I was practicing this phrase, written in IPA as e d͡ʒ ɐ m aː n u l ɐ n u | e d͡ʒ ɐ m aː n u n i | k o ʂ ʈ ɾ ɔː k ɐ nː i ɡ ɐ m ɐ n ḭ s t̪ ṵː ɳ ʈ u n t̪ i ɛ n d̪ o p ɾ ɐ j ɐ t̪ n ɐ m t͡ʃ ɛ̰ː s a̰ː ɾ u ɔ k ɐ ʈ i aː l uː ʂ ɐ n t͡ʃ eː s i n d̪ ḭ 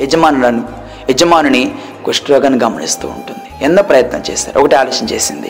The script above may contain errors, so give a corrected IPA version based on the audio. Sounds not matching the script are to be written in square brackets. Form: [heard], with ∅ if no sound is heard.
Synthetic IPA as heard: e d͡ʒ ɐ m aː n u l ɐ n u | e d͡ʒ ɐ m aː n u n i | k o ʂ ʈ ɾ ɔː [ɡ] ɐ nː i ɡ ɐ m ɐ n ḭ s t̪ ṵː ɳ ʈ u n [d̪] i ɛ n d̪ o p ɾ ɐ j ɐ t̪ n ɐ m t͡ʃ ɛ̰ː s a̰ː ɾ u ɔ k ɐ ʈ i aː l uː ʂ ɐ n t͡ʃ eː s i n d̪ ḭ